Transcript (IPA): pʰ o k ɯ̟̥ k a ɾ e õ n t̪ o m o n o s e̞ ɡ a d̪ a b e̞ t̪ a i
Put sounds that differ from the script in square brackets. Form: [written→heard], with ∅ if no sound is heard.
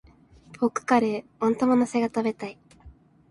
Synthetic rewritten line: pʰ o k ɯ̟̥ k a ɾ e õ n t̪ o m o n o s e̞ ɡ a [d̪→t̪] a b e̞ t̪ a i